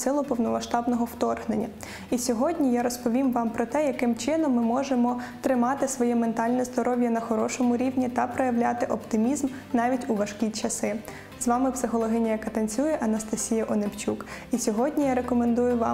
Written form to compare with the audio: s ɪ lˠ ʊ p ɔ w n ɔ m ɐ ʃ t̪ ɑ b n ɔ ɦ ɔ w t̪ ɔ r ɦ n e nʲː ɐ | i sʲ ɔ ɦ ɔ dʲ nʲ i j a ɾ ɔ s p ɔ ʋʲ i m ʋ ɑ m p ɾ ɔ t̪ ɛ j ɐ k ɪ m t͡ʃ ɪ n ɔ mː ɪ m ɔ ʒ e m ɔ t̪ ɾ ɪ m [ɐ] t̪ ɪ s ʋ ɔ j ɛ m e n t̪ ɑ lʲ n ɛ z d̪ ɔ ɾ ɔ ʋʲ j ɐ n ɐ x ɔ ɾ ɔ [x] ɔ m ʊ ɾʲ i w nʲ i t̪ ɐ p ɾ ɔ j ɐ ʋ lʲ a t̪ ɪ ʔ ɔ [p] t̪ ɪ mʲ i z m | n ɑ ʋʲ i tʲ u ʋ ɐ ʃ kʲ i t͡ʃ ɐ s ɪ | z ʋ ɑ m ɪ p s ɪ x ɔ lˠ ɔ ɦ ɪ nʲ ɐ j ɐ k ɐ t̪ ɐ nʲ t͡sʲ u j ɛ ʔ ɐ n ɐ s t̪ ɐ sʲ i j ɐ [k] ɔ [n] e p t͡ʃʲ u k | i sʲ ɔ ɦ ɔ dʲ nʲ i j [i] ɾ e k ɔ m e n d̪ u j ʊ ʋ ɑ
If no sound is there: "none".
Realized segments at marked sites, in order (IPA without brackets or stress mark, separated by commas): ɑ, ʃ, p, ʔ, n, a